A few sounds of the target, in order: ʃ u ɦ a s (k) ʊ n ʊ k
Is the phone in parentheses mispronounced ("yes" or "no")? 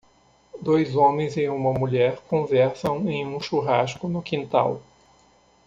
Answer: no